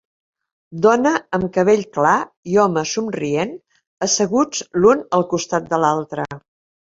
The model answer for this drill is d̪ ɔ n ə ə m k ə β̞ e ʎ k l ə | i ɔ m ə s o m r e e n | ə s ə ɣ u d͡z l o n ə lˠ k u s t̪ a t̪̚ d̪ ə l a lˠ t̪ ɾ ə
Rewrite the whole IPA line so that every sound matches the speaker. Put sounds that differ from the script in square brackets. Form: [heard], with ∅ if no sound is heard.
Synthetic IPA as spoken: d̪ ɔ n ə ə m k ə β̞ e ʎ k l [a] | i ɔ m ə s [u] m r [i] e n | ə s ə ɣ u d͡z l [u] n ə lˠ k u s t̪ a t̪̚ d̪ ə l a lˠ t̪ ɾ ə